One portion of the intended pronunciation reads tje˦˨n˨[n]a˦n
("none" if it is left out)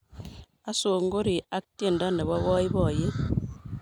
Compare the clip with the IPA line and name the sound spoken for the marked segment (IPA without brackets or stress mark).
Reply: d